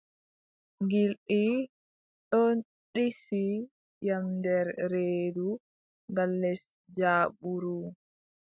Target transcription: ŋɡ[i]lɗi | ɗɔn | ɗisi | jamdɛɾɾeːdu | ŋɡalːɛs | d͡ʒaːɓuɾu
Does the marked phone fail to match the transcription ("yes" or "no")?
no